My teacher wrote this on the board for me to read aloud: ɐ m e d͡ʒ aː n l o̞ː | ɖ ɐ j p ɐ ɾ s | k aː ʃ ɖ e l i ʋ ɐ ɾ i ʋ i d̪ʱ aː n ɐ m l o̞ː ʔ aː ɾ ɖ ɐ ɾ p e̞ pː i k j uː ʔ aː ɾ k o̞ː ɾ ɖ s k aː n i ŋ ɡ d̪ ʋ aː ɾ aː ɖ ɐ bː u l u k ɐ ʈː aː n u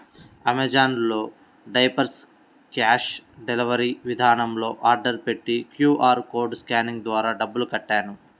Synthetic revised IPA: ɐ m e d͡ʒ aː n l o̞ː | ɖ ɐ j p ɐ ɾ s | k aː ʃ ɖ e l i ʋ ɐ ɾ i ʋ i d̪ʱ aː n ɐ m l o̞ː ʔ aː ɾ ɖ ɐ ɾ p e̞ ʈː i k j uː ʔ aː ɾ k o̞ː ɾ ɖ s k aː n i ŋ ɡ d̪ ʋ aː ɾ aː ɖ ɐ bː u l u k ɐ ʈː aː n u